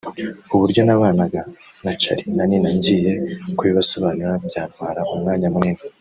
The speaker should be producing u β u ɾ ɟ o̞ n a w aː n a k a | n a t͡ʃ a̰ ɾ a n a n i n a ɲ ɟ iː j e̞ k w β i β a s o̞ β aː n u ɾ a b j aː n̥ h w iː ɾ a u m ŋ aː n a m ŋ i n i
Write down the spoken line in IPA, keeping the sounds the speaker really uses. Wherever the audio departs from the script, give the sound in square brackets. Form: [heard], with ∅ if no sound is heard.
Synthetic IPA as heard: u β u ɾ ɟ o̞ n a [β] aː n a [ɡ] a | n a t͡ʃ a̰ ɾ [i] n a n i n a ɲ ɟ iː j e̞ k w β i β a s o̞ β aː n u ɾ a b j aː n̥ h w [aː] ɾ a u m ŋ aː [ɲ] a m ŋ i n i